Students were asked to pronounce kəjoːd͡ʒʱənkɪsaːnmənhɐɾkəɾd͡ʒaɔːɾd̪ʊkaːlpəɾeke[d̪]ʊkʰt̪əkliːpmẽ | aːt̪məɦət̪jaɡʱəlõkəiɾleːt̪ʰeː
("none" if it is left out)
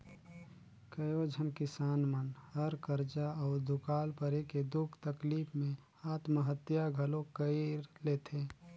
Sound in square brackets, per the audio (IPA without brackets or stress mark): d̪